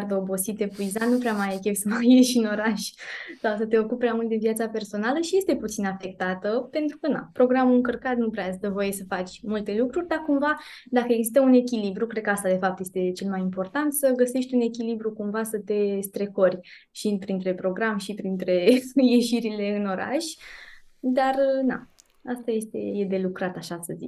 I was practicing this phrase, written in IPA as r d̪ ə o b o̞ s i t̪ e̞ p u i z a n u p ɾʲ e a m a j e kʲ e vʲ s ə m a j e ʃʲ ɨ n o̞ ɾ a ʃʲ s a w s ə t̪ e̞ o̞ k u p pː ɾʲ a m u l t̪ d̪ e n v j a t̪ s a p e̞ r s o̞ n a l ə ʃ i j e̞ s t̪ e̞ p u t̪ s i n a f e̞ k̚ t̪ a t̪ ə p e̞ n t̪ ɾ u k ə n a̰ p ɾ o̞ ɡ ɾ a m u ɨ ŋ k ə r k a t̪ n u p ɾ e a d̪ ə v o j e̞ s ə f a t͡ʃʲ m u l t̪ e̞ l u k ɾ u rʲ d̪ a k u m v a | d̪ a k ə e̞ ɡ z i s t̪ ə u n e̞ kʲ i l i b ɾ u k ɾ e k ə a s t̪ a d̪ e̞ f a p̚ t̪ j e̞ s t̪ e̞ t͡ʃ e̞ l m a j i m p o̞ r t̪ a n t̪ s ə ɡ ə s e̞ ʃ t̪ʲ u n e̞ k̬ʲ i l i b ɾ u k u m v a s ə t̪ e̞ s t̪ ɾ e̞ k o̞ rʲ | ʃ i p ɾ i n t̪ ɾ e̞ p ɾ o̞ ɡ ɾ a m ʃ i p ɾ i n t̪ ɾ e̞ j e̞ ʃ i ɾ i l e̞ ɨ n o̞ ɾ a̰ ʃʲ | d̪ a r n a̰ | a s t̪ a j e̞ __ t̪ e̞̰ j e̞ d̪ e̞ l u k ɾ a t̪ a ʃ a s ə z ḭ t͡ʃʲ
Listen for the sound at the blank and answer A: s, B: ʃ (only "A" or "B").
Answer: A